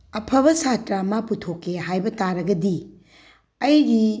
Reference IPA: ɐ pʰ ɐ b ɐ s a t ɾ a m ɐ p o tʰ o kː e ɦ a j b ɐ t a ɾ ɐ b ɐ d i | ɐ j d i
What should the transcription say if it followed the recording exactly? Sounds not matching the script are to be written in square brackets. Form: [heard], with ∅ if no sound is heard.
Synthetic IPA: ɐ pʰ ɐ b ɐ s a t ɾ a m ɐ p [u] tʰ o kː e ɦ a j b ɐ t a ɾ ɐ [ɡ] ɐ d i | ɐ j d i